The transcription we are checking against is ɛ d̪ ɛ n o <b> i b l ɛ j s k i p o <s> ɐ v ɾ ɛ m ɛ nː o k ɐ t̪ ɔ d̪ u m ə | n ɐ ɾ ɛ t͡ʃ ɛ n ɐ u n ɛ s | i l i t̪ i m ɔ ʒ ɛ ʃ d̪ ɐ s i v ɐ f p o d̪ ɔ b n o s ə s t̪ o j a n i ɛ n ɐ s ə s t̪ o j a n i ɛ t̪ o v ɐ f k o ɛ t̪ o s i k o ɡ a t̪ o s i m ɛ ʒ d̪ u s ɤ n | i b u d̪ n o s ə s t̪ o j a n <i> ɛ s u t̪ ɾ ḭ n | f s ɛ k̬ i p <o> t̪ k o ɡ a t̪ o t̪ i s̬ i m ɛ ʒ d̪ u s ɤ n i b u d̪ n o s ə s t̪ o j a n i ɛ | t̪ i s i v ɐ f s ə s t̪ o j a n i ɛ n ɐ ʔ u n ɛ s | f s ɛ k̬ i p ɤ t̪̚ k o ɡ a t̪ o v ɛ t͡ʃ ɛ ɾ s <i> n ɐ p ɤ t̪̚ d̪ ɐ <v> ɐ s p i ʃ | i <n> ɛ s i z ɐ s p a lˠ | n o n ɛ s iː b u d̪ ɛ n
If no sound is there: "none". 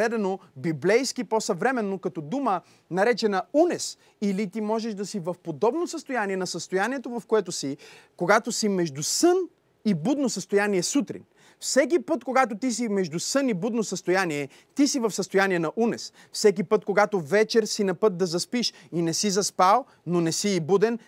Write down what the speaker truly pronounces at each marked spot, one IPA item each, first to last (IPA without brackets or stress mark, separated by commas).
b, s, i, ɤ, i, z, n